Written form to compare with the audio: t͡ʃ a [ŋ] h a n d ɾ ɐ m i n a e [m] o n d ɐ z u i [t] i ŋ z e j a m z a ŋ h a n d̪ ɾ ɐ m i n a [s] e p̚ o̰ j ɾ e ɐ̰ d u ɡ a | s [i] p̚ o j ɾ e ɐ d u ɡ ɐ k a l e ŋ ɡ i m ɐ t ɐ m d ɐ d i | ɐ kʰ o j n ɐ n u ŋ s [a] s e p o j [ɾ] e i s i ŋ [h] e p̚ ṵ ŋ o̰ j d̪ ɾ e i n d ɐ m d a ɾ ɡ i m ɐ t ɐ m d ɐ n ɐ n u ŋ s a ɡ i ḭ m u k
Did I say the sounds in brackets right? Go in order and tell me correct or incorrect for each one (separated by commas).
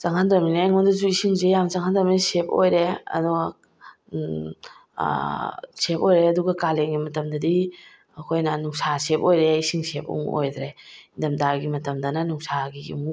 correct, incorrect, incorrect, correct, incorrect, correct, correct, incorrect